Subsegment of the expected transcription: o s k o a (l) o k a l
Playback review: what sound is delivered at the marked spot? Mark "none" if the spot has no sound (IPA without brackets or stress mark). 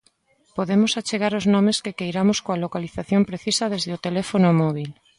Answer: l